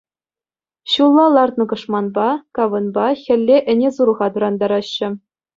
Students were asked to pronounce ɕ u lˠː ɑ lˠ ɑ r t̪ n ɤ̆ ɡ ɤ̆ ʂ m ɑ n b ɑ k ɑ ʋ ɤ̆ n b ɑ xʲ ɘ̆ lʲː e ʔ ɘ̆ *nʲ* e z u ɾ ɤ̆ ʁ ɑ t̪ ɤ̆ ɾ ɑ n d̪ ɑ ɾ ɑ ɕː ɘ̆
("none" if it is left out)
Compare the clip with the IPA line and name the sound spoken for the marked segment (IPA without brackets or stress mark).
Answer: nʲ